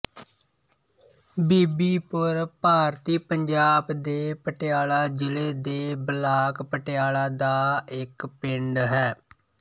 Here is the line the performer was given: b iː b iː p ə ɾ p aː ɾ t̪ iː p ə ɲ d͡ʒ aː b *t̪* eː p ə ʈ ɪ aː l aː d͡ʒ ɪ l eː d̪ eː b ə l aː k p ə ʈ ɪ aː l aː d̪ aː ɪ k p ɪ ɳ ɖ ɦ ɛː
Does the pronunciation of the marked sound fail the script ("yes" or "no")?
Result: yes